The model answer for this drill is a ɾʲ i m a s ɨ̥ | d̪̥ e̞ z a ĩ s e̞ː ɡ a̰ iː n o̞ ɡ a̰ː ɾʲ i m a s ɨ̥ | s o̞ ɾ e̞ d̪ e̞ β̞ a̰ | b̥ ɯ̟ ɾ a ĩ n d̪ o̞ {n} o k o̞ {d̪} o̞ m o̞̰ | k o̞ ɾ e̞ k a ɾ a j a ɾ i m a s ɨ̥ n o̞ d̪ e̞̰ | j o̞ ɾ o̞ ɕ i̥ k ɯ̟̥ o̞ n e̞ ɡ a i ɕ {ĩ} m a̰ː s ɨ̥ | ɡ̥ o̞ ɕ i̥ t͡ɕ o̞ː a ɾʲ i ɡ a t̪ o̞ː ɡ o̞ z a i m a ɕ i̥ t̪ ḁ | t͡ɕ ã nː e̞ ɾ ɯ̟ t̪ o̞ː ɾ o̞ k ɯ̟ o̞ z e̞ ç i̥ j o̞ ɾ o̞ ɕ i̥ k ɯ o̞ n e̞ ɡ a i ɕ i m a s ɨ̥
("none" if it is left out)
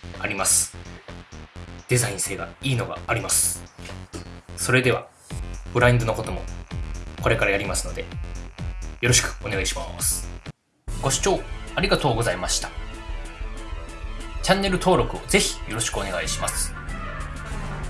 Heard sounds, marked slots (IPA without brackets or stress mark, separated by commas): n, t̪, i